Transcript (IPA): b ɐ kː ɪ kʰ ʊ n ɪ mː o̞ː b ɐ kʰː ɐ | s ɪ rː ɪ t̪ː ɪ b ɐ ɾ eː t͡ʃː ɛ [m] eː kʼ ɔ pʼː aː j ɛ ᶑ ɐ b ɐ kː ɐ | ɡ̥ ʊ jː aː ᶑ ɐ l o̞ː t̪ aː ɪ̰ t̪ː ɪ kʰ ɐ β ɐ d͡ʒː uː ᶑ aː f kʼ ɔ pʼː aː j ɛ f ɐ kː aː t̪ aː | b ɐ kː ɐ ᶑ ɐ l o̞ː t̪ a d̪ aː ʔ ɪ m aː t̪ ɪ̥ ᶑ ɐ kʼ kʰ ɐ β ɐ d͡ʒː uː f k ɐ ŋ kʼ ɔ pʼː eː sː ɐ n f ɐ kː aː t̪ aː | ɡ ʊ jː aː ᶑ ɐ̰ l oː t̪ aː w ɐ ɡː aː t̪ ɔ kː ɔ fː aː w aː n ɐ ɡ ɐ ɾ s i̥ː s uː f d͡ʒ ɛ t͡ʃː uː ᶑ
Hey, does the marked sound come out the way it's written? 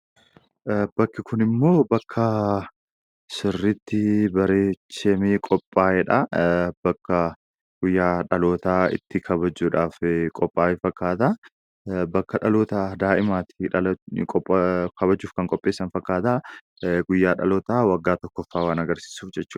yes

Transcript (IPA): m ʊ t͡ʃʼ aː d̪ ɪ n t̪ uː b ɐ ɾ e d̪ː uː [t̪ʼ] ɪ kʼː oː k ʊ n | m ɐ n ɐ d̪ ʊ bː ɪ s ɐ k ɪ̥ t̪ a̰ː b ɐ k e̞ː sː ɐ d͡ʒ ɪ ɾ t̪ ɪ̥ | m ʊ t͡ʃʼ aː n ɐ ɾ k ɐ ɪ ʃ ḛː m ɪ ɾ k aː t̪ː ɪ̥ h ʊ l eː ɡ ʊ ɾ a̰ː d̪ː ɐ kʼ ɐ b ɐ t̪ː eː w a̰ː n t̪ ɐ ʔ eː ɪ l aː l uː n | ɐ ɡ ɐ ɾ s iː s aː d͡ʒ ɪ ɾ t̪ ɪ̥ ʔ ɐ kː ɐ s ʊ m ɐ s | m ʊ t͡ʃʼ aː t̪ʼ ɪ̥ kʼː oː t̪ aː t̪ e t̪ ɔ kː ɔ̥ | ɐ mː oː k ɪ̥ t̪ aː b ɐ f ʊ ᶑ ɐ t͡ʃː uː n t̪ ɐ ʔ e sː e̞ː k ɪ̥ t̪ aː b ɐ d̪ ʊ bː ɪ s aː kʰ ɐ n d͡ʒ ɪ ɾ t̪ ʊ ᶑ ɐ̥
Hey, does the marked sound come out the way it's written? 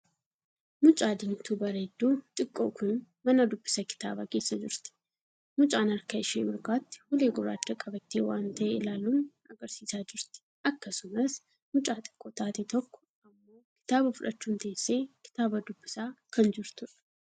yes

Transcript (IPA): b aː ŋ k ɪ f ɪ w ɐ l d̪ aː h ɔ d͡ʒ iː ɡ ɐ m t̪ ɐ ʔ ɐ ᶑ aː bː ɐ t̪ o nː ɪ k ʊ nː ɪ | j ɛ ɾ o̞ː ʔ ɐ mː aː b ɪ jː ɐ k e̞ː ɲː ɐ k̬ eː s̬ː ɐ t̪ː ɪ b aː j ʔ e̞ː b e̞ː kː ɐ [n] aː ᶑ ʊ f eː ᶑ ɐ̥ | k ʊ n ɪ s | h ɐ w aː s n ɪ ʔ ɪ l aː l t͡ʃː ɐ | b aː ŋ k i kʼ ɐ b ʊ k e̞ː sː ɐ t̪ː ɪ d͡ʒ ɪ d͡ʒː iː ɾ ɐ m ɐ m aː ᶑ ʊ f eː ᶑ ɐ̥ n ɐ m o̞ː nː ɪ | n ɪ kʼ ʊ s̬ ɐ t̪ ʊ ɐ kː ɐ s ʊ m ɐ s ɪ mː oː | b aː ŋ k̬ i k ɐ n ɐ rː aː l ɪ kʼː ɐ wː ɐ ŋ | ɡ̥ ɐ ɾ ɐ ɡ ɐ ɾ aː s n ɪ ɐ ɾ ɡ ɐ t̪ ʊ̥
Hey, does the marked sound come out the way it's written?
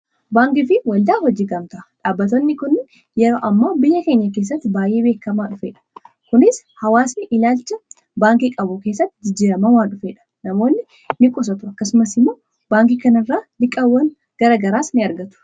no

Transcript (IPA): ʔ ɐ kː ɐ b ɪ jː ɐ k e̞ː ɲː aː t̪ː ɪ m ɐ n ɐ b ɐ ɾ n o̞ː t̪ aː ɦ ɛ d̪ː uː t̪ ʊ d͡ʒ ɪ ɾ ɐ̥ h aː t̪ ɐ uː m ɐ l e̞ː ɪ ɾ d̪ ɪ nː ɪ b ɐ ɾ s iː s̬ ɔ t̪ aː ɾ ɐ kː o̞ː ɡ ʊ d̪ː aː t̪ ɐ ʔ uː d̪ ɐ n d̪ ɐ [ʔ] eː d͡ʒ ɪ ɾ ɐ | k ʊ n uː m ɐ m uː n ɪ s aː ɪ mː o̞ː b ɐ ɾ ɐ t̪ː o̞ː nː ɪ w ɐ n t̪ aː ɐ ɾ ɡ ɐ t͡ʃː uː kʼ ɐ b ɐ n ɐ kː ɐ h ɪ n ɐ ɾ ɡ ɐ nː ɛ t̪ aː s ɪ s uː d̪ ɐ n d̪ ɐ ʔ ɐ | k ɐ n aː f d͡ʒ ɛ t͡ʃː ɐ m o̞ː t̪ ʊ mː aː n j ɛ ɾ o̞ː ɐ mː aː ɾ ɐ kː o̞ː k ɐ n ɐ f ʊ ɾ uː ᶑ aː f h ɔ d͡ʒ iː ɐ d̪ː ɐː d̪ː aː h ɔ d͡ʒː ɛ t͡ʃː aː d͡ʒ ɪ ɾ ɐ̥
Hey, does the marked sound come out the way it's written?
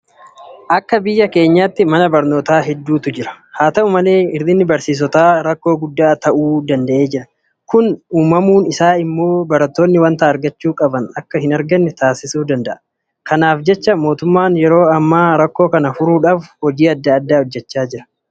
yes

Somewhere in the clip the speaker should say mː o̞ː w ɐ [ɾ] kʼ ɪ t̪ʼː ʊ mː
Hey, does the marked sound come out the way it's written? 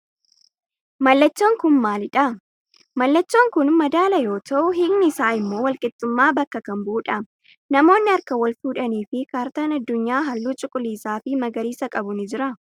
no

